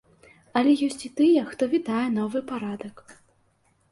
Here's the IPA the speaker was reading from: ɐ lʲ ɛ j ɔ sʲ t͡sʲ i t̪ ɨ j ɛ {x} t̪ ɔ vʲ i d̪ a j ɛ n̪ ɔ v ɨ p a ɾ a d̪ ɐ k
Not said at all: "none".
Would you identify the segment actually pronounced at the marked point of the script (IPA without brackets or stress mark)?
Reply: x